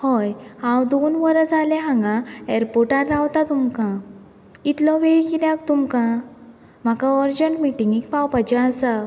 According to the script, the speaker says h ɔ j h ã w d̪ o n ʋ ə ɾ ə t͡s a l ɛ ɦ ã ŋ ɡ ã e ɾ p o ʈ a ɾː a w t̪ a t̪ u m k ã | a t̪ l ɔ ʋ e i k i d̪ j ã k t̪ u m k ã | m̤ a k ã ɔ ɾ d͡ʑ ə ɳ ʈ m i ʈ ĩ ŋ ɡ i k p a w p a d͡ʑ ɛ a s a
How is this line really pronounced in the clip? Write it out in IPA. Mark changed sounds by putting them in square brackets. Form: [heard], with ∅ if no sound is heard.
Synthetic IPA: h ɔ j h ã w d̪ o n ʋ ə ɾ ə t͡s a l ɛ ɦ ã ŋ ɡ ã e ɾ p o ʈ a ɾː a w t̪ a t̪ u m k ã | [i] t̪ l ɔ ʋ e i k i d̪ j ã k t̪ u m k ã | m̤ a k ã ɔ ɾ d͡ʑ ə ɳ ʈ m i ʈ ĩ ŋ ɡ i k p a w p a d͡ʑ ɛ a s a